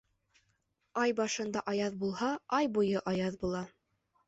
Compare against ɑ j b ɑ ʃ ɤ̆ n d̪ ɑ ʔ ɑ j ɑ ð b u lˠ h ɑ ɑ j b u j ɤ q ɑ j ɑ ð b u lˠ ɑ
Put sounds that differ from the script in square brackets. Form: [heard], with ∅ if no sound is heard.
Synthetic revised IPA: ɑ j b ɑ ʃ ɤ̆ n d̪ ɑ ʔ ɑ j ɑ ð b u lˠ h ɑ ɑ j b u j ɤ [ʔ] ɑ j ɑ ð b u lˠ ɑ